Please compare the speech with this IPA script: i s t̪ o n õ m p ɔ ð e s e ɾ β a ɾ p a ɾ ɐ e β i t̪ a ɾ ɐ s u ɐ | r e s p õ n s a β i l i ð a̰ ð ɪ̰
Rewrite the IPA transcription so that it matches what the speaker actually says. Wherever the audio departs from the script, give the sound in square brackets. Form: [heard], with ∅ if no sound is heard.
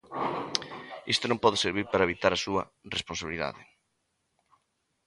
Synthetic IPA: i s t̪ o n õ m p ɔ ð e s e ɾ β [i] ɾ p a ɾ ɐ e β i t̪ a ɾ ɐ s u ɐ | r e s p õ n s a β i l i ð a̰ ð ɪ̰